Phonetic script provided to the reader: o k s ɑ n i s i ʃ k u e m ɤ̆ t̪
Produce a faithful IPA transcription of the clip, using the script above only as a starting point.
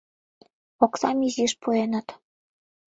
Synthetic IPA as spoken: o k s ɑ m i z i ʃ p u e n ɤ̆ t̪